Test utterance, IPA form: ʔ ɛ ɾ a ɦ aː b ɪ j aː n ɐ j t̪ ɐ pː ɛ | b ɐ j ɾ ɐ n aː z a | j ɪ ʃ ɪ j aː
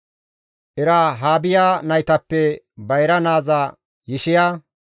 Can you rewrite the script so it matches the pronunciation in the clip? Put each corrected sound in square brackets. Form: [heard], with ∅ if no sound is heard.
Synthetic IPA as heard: ʔ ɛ ɾ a ɦ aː b ɪ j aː n ɐ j t̪ ɐ pː ɛ | b ɐ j ɾ ɐ n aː z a | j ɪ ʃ ɪ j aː